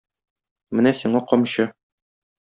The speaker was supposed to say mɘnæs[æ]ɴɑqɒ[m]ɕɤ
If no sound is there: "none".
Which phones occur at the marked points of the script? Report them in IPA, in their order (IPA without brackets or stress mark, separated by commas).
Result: i, m